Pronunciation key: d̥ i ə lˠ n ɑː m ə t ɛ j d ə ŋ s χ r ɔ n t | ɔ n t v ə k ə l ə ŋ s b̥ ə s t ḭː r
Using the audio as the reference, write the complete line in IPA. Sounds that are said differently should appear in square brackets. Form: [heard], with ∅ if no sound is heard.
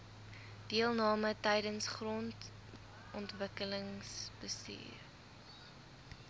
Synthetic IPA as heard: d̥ i ə lˠ n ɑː m ə t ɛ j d ə [n] s χ r ɔ n t | ɔ n t v ə k ə l ə ŋ s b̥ ə s t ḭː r